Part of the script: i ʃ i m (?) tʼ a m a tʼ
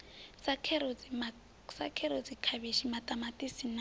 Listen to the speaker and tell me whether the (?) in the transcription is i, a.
a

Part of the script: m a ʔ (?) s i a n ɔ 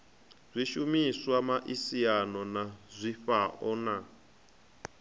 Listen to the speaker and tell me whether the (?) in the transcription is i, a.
i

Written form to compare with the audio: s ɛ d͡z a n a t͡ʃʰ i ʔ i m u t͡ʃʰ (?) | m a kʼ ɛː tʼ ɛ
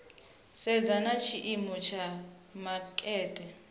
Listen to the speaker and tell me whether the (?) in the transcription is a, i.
a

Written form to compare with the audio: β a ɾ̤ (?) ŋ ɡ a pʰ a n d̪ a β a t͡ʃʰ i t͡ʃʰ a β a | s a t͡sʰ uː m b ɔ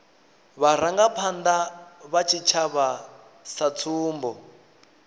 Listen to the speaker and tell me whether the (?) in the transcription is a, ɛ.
a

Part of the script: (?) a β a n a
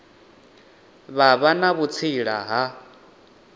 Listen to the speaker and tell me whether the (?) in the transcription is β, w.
β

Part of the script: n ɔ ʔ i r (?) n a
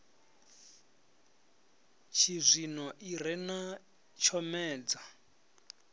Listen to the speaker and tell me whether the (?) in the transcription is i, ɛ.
ɛ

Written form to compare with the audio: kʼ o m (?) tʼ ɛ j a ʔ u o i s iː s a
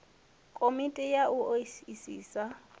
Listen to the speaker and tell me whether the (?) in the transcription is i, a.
i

